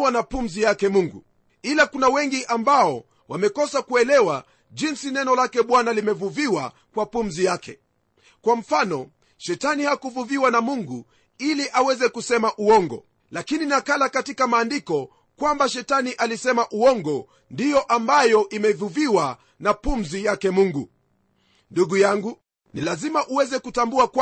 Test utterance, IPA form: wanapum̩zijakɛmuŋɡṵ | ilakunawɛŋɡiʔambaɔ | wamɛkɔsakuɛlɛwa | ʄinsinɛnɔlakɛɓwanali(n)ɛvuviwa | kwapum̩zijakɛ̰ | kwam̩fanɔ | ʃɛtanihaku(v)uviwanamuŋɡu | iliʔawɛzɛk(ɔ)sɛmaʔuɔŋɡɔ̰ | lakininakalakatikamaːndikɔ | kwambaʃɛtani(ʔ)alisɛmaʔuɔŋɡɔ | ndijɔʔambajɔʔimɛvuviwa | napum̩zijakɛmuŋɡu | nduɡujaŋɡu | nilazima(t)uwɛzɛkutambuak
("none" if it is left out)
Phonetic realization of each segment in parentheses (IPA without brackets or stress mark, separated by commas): m, v, u, ʔ, ʔ